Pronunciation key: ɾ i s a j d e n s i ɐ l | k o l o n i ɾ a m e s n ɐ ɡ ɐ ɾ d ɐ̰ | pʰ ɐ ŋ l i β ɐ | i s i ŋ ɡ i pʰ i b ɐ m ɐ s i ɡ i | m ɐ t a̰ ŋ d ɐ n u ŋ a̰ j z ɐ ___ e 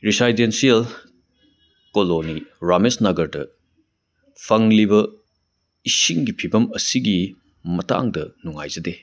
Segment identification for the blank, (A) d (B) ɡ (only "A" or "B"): A